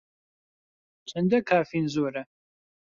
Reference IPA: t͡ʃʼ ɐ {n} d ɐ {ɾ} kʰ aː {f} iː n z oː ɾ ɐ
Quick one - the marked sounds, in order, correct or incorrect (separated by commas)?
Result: correct, incorrect, correct